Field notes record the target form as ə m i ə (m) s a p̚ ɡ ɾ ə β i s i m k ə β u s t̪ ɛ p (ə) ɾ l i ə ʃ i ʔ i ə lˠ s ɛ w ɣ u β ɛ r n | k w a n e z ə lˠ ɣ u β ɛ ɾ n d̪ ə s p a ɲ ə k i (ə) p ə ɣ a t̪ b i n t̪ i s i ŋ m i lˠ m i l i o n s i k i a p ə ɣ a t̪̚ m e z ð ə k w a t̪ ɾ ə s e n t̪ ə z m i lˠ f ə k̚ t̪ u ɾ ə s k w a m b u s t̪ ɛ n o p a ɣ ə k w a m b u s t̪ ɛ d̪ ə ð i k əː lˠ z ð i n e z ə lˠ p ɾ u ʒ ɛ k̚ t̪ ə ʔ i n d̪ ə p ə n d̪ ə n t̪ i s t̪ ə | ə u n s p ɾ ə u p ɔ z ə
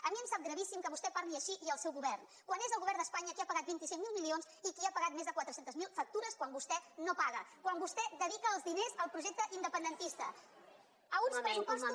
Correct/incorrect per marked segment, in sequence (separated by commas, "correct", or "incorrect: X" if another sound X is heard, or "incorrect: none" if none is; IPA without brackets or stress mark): correct, incorrect: a, incorrect: a